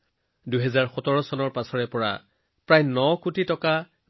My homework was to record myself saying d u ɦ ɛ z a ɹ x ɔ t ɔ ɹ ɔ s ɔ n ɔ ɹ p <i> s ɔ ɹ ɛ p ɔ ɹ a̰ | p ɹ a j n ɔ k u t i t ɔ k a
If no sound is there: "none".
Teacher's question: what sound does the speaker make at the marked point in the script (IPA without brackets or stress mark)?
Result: a